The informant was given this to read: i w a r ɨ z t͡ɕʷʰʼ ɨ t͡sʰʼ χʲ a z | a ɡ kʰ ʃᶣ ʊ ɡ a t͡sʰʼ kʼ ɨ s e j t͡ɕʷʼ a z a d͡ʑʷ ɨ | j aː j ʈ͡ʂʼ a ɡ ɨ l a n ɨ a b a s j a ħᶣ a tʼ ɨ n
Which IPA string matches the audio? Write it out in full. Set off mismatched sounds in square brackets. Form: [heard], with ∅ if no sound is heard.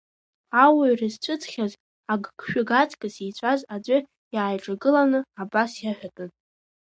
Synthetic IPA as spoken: [a] w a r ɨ z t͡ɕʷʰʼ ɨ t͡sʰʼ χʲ a z | a ɡ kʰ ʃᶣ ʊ ɡ a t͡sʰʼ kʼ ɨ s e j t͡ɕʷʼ a z a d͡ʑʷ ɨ | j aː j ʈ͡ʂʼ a ɡ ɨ l a n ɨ a b a s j a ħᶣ a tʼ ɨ n

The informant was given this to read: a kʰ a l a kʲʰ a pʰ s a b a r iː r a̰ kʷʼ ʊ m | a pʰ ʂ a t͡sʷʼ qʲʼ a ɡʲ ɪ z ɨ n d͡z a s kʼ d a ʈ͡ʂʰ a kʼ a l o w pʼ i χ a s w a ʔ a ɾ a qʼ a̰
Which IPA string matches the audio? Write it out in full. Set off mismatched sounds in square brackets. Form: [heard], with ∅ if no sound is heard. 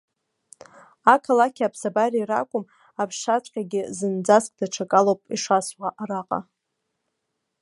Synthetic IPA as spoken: a kʰ a l a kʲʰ a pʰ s a b a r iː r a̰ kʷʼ ʊ m | a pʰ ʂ a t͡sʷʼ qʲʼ a ɡʲ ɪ z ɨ n d͡z a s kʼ d a ʈ͡ʂʰ a kʼ a l o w pʼ i [ʂ] a s w a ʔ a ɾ a qʼ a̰

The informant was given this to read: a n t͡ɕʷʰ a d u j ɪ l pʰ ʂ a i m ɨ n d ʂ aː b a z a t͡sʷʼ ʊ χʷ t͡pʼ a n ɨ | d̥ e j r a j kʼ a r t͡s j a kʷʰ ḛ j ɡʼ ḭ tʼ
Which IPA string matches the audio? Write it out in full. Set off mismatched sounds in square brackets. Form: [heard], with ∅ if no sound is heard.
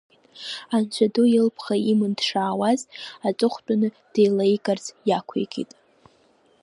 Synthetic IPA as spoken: a n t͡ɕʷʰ a d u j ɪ l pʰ [χ] a i m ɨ n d ʂ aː [w] a z a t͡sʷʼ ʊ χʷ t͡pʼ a n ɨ | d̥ e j [l] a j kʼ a r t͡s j a kʷʰ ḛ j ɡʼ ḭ tʼ

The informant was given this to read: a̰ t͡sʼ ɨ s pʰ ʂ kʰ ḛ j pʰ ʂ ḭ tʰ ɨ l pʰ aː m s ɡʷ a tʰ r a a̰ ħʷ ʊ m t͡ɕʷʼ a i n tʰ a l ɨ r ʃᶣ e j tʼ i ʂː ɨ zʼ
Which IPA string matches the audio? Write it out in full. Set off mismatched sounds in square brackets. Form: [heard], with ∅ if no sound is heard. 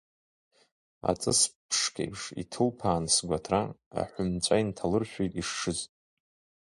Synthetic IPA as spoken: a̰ t͡sʼ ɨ s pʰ ʂ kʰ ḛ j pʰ ʂ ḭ tʰ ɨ l pʰ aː [n] s ɡʷ a tʰ r a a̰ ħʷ ʊ m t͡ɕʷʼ a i n tʰ a l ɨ r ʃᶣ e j tʼ i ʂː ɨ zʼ

